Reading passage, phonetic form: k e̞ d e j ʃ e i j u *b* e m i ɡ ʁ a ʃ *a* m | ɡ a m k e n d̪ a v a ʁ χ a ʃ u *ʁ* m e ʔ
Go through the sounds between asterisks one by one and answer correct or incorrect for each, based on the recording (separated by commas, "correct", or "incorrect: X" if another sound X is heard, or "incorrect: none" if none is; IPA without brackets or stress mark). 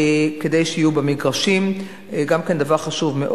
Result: correct, incorrect: i, incorrect: v